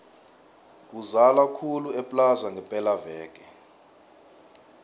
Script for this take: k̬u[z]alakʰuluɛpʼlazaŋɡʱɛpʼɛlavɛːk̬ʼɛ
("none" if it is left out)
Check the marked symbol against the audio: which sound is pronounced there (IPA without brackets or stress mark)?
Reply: z